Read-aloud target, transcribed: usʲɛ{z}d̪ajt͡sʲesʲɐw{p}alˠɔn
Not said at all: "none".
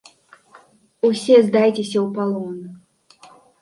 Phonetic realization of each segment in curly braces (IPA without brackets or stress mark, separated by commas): z, p